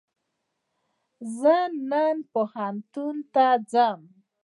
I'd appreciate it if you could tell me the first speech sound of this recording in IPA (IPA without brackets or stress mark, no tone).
z